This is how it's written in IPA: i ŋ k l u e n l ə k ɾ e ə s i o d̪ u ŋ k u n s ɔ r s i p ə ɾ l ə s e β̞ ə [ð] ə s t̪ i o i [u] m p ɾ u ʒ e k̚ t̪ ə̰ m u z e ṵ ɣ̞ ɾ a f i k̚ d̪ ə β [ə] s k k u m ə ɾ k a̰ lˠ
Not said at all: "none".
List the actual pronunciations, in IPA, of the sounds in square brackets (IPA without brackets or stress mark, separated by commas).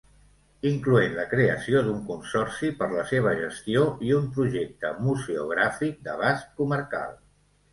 ʒ, u, a